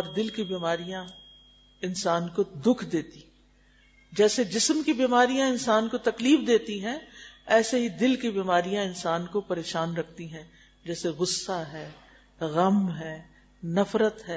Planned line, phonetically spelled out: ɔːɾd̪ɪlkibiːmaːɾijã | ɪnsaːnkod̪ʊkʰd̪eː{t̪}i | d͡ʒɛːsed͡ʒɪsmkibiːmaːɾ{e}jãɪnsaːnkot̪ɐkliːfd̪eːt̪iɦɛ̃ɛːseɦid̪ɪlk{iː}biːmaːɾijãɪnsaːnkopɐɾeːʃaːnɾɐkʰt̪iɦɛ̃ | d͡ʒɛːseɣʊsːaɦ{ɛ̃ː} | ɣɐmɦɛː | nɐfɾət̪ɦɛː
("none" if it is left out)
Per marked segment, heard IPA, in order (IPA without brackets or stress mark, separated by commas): t̪, i, i, ɛː